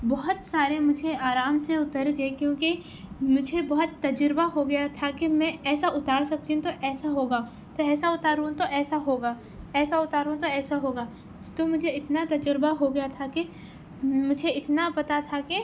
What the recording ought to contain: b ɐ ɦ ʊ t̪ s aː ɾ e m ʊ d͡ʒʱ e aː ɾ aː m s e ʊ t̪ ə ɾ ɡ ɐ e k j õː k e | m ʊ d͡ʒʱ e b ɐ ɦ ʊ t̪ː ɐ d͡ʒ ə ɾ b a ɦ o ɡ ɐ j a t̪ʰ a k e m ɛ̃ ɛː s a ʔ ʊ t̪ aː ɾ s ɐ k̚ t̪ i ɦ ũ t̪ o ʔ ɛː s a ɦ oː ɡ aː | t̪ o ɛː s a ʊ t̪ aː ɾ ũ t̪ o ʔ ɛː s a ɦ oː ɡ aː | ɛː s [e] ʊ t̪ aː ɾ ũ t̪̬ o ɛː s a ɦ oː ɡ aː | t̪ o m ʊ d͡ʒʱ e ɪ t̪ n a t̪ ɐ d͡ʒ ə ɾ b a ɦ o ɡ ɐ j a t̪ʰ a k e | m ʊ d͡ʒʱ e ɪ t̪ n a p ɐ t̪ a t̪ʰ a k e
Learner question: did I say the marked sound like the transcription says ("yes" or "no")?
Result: no